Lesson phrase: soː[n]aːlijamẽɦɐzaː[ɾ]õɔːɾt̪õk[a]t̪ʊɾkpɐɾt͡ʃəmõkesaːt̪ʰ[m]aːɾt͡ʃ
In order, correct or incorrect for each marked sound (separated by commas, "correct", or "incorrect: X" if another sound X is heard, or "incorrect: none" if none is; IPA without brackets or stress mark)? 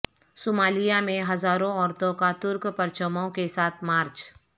incorrect: m, correct, correct, correct